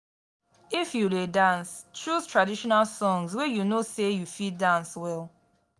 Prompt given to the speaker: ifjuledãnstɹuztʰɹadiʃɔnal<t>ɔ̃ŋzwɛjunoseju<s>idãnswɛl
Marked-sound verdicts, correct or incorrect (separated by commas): incorrect, incorrect